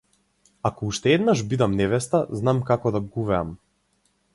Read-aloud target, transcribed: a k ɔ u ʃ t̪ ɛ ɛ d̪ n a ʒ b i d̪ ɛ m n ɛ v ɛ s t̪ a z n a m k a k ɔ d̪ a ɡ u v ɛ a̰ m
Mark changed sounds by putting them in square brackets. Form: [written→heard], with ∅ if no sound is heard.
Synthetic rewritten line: a k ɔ u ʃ t̪ ɛ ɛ d̪ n a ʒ b i d̪ [ɛ→a] m n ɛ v ɛ s t̪ a z n a m k a k ɔ d̪ a ɡ u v ɛ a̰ m